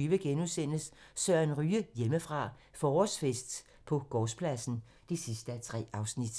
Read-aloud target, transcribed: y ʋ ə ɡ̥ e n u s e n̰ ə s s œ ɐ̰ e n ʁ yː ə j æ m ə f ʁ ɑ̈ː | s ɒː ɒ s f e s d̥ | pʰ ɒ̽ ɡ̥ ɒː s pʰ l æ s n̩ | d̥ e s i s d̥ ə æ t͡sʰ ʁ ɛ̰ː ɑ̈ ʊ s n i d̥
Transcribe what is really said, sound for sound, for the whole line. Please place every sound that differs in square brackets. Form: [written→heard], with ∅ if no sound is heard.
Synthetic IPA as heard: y ʋ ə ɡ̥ e n u s e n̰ ə s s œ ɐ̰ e n ʁ yː ə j [æ→e] m ə f ʁ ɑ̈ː | [s→f] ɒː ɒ s f e s d̥ | pʰ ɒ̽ ɡ̥ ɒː s pʰ l æ s n̩ | d̥ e s i s d̥ ə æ t͡sʰ ʁ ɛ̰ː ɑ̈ ʊ s n i d̥